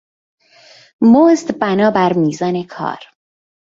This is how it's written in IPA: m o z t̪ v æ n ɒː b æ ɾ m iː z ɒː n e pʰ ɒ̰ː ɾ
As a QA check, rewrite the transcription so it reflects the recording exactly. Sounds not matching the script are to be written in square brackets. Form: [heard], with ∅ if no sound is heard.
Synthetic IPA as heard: m o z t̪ [b] æ n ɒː b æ ɾ m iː z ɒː n e [kʰ] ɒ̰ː ɾ